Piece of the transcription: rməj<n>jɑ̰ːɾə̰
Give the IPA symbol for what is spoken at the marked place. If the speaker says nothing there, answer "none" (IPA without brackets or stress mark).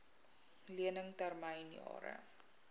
n